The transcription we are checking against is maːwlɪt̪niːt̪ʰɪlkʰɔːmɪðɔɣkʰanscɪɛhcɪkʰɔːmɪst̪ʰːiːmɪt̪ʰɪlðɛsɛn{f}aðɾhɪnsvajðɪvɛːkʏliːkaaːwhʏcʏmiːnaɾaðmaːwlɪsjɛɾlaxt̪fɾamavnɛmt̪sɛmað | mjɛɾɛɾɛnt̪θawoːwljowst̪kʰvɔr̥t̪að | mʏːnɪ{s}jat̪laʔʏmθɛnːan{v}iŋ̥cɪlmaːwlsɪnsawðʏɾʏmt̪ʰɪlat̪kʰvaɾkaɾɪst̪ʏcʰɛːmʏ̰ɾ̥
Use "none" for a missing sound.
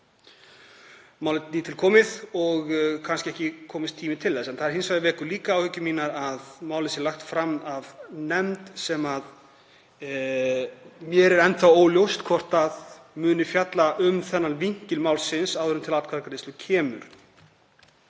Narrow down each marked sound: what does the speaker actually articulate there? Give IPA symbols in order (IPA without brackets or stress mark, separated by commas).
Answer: θ, f, v